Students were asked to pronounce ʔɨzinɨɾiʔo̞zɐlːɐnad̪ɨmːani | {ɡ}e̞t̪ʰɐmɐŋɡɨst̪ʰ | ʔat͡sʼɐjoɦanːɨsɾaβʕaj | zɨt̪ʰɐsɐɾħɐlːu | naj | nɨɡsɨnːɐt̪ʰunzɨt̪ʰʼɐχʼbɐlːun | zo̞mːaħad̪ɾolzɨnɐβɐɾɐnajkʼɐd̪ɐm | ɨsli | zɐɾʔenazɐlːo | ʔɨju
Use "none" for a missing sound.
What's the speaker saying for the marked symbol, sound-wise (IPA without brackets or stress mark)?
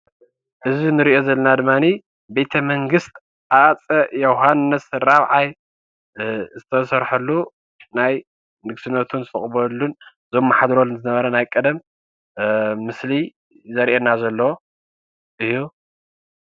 b